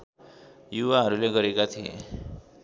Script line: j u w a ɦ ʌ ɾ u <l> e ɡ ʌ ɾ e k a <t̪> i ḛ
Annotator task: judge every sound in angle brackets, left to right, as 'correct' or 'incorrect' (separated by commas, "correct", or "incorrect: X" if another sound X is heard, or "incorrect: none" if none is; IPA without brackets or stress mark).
correct, incorrect: t̪ʰ